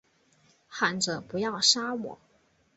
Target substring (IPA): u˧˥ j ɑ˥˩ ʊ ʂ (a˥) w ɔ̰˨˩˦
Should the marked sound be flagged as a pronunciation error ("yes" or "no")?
no